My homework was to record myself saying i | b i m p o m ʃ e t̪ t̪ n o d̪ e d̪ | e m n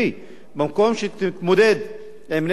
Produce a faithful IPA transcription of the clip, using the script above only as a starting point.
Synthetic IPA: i | b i m k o m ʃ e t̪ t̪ m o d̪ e d̪ | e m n